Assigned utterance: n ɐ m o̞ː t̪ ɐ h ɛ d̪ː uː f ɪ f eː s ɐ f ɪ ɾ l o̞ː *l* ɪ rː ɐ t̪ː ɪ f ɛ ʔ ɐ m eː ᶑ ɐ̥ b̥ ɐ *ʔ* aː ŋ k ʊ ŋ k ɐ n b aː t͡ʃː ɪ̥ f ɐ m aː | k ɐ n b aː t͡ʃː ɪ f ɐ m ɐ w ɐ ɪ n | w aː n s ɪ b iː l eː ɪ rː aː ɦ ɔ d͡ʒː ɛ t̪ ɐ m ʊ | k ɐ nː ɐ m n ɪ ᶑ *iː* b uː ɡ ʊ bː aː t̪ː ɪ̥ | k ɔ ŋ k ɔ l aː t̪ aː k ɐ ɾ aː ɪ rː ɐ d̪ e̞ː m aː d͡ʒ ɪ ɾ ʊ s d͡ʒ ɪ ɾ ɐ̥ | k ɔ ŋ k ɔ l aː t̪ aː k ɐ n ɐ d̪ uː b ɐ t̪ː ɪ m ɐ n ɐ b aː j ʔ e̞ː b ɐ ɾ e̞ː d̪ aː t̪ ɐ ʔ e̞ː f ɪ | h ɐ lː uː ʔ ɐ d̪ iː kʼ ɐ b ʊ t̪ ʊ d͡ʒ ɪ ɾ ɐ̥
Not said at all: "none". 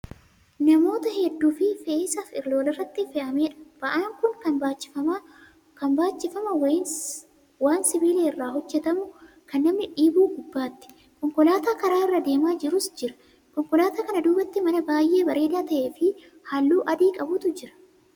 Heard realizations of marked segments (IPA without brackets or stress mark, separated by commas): l, ʔ, iː